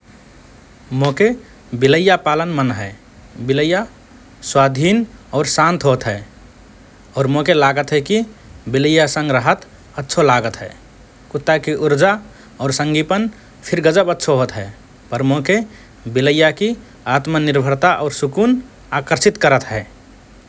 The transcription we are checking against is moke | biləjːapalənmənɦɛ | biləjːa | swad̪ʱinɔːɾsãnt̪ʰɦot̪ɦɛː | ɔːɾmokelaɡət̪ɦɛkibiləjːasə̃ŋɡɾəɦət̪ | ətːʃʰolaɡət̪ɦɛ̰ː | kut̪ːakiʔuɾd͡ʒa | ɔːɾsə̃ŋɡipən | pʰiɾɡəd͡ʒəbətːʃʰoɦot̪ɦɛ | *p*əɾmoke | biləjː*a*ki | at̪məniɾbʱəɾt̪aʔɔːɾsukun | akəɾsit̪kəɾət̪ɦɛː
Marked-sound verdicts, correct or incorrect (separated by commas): correct, correct